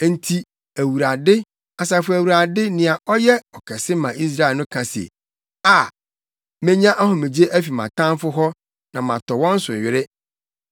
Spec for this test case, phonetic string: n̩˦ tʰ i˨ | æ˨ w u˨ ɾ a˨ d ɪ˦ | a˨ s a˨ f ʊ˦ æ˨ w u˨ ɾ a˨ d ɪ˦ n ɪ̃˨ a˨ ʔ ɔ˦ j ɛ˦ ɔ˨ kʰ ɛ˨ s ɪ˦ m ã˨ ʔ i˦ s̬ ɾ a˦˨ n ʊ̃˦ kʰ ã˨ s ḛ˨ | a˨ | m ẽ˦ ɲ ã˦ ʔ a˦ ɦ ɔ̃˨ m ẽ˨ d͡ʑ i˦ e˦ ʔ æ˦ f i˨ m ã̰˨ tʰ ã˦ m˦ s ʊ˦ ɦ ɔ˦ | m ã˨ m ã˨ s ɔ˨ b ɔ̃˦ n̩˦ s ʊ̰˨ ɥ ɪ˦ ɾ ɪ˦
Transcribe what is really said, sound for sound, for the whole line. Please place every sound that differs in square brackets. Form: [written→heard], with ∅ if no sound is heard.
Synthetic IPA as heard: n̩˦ tʰ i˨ | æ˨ w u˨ ɾ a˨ d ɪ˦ | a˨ s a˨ f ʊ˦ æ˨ w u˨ ɾ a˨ d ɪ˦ n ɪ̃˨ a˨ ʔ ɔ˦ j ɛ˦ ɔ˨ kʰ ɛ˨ s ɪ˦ m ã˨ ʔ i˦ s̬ ɾ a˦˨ n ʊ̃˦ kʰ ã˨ s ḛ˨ | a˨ | m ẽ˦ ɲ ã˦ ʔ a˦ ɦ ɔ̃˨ m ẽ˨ d͡ʑ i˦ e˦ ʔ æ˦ f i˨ m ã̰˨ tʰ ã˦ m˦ [s→f] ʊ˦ ɦ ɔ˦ | [m→n] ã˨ m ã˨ [s→t] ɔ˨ [b→w] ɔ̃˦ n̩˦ s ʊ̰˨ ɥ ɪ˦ ɾ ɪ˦

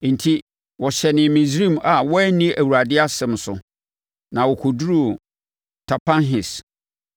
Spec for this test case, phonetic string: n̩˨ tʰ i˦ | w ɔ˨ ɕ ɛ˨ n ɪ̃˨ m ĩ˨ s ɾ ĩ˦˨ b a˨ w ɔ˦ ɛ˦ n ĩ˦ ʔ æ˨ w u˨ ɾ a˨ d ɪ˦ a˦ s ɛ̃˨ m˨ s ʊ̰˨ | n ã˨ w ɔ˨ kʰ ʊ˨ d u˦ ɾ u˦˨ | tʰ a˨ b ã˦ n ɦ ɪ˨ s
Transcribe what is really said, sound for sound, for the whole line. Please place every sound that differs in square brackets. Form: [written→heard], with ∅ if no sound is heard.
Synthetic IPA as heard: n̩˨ tʰ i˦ | w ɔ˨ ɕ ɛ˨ n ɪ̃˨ m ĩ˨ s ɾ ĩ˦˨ [b→m] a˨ w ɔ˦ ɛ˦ n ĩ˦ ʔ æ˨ w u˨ ɾ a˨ d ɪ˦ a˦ s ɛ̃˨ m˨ s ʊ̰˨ | n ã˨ w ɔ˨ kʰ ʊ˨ d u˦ ɾ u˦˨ | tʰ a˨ [b→p] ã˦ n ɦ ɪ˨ s

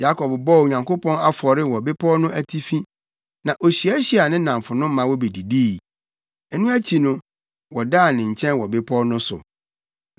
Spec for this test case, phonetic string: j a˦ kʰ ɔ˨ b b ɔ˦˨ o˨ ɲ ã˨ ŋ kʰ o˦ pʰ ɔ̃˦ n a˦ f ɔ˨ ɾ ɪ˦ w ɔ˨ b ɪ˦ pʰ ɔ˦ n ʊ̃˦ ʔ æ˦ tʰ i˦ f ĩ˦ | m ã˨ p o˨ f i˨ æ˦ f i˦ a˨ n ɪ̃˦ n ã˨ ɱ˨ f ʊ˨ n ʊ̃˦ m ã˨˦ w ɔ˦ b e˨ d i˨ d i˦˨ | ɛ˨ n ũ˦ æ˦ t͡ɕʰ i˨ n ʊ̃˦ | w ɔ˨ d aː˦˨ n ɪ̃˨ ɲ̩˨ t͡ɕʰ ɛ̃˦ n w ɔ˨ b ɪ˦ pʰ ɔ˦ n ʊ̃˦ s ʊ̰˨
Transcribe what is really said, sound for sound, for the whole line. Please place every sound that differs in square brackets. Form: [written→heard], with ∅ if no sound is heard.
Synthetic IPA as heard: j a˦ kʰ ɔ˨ b b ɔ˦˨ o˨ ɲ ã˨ ŋ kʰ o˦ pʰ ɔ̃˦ n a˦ f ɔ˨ ɾ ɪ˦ w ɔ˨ b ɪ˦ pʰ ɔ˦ n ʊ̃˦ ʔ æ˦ tʰ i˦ f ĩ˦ | [m→n] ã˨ [p→ʔ] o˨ [f→ɕ] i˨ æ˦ [f→ɕ] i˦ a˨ n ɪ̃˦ n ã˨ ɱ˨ f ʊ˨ n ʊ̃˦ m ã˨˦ w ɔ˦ b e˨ d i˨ d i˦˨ | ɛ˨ n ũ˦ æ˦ t͡ɕʰ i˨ n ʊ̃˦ | w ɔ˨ d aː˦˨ n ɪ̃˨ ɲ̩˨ t͡ɕʰ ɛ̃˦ n w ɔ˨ b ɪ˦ pʰ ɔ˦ n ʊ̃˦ s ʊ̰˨

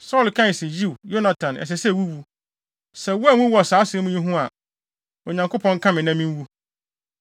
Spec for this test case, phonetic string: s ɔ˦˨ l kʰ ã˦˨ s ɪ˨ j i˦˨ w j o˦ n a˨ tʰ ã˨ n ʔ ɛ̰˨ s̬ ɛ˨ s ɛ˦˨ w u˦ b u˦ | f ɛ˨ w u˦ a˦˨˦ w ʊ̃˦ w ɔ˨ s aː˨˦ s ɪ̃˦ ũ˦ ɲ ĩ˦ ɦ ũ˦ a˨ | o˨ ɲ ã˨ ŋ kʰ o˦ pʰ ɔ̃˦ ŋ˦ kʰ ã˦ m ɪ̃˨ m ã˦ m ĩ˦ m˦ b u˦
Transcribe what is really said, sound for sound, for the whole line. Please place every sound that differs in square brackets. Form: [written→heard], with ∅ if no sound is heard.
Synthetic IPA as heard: s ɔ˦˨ l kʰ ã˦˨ s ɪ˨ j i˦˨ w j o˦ n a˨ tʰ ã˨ n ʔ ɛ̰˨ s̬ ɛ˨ s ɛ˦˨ w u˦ [b→w] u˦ | [f→s] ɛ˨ w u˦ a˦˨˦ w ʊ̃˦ w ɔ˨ s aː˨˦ s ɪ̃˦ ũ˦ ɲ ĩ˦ ɦ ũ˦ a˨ | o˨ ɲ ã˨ ŋ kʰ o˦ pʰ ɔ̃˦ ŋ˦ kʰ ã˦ m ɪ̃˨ [m→n] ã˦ m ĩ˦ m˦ [b→w] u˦

